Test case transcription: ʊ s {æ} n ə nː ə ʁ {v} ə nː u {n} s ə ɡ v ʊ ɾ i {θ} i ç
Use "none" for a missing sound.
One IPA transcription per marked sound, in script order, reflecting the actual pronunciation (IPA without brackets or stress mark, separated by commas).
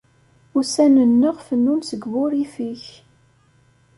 æ, f, n, f